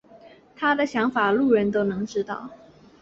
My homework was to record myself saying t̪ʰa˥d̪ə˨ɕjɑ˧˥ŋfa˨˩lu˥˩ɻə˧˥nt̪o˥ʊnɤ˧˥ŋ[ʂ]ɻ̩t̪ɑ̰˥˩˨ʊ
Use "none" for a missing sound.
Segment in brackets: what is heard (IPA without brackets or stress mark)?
ʈ͡ʂ